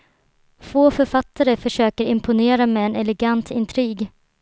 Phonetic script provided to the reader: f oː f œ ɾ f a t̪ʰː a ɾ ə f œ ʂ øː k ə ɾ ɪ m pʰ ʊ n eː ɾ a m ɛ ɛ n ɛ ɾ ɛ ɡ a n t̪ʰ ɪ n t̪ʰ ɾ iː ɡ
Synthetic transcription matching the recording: f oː f œ ɾ f a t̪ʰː a ɾ ə f œ ʂ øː k ə ɾ ɪ m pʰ ʊ n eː ɾ a m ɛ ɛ n ɛ l ɛ ɡ a n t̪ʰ ɪ n t̪ʰ ɾ iː ɡ